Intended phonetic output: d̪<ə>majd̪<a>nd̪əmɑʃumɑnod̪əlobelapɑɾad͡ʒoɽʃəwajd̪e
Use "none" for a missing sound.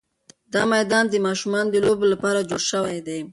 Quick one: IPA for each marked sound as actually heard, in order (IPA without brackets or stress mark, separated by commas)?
ɑ, ɑ